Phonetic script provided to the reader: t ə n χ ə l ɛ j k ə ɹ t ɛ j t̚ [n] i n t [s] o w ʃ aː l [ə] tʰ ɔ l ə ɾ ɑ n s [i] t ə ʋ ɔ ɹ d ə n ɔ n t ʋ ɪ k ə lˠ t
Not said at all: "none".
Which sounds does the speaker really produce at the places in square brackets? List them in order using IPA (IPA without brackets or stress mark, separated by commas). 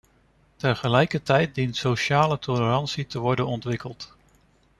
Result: d, s, ə, i